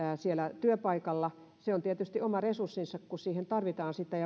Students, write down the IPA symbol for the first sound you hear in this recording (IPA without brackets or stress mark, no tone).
s